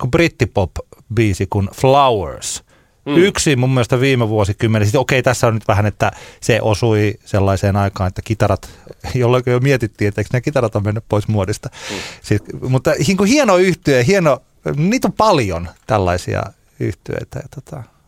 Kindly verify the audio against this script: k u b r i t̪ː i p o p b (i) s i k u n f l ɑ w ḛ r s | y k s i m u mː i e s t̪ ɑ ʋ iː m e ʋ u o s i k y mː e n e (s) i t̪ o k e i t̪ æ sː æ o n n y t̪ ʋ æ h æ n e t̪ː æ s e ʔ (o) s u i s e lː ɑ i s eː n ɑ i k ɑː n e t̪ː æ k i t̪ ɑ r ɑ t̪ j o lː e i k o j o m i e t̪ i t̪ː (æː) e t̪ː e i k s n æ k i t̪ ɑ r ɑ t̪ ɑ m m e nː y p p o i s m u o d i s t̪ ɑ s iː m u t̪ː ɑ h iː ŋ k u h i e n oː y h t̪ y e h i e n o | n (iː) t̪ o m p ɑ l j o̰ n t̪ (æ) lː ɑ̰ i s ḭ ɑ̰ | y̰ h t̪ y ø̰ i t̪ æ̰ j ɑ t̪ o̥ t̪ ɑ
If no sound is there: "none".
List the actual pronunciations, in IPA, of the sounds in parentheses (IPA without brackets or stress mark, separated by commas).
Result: iː, s, o, iː, iː, æ